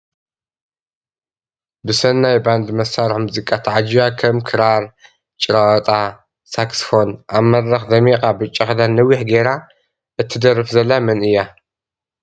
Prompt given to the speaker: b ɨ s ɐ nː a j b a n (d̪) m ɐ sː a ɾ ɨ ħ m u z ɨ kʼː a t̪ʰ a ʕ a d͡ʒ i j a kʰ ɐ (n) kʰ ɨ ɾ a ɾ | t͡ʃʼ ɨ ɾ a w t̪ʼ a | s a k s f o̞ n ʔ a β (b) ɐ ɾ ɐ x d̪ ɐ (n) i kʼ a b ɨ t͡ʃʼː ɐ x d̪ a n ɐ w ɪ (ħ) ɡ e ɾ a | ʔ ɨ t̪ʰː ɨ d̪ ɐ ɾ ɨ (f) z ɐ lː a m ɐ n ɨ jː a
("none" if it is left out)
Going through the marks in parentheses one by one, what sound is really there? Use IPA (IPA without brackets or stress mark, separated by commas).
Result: d̪, m, m, m, ħ, f